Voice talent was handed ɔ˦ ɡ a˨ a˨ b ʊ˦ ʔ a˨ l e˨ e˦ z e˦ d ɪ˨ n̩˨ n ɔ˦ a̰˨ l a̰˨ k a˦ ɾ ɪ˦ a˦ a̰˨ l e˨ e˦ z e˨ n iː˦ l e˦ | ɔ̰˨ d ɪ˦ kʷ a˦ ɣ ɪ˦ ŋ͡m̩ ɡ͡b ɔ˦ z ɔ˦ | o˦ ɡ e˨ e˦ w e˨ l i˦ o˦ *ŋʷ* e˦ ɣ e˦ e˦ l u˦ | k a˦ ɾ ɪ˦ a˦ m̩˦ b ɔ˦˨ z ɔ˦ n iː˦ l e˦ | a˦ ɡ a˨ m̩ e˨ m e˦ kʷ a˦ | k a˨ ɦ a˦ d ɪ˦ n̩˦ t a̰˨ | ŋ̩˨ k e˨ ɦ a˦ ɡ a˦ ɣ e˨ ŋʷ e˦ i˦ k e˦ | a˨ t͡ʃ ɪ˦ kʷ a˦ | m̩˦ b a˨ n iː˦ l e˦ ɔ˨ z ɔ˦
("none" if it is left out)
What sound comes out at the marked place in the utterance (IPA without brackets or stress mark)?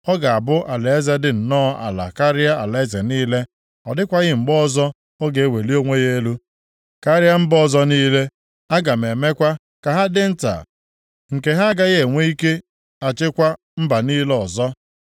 ŋʷ